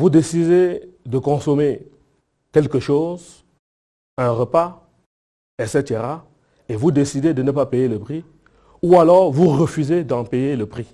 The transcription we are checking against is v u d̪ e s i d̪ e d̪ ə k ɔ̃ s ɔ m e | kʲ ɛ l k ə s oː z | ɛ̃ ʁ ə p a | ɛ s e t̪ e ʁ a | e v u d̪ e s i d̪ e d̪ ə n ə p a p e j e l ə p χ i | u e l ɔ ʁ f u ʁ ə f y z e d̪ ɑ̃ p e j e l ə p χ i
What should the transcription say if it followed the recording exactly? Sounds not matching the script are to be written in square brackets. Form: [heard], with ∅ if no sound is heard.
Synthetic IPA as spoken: v u d̪ e s i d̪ e d̪ ə k ɔ̃ s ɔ m e | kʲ ɛ l k ə [ʃ] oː z | ɛ̃ ʁ ə p a | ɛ s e t̪ e ʁ a | e v u d̪ e s i d̪ e d̪ ə n ə p a p e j e l ə p χ i | u [a] l ɔ ʁ [v] u ʁ ə f y z e d̪ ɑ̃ p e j e l ə p χ i